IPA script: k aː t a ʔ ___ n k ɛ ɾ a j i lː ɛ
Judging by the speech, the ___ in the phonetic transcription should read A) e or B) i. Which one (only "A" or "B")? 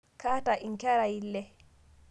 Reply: B